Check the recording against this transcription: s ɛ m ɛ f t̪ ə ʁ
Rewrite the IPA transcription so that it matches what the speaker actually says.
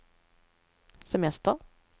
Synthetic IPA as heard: s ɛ m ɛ s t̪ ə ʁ